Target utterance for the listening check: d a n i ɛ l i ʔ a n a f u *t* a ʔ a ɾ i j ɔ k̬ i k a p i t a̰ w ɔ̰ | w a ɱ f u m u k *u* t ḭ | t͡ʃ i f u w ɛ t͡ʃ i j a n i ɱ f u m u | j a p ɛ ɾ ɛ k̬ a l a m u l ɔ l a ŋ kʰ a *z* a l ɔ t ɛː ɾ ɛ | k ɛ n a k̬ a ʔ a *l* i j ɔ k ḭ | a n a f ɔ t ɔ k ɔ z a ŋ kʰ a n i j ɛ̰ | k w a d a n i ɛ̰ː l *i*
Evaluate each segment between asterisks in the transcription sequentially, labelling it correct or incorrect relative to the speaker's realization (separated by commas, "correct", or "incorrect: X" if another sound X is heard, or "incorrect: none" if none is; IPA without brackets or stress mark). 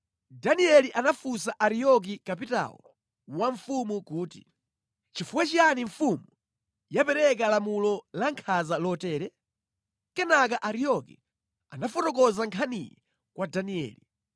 incorrect: s, incorrect: uː, correct, incorrect: ɾ, correct